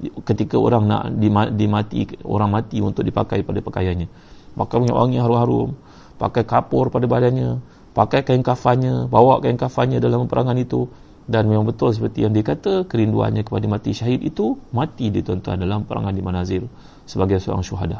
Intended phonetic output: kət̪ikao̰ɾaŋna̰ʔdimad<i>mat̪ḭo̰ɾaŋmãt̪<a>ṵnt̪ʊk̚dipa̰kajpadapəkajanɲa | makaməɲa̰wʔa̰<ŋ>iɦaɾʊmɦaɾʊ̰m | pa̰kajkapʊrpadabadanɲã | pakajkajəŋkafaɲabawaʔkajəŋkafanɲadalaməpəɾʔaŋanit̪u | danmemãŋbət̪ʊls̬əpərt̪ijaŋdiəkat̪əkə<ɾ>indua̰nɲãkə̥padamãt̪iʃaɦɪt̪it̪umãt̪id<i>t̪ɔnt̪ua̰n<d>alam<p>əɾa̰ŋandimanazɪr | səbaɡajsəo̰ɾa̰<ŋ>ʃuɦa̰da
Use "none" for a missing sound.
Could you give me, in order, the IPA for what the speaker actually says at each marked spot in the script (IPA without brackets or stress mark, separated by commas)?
i, i, ŋ, ɾ, i, d, p, ŋ